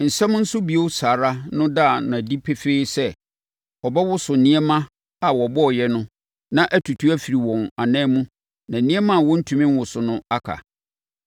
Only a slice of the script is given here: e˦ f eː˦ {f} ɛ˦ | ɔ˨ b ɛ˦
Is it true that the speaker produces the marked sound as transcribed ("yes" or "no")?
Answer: no